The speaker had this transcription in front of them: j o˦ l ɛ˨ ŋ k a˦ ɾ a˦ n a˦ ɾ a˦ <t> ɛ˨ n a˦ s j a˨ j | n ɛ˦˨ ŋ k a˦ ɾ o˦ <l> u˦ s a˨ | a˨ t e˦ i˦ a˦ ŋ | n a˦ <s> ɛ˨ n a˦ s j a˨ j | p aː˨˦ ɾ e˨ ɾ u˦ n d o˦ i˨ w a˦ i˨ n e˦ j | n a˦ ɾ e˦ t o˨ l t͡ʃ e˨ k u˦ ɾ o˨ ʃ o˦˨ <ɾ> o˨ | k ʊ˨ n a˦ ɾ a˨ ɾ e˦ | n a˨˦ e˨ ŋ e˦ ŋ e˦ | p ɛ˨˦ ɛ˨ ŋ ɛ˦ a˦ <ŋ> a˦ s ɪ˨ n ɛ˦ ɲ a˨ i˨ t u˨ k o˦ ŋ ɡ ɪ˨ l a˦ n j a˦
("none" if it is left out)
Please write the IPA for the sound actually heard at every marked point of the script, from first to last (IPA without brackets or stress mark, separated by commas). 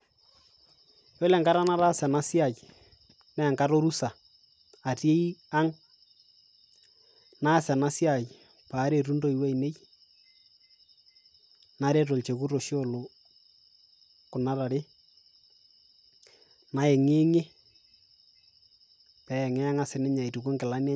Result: s, ɾ, s, l, ŋ